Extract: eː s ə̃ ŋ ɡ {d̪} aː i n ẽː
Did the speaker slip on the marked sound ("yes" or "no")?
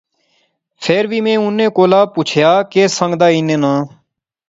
no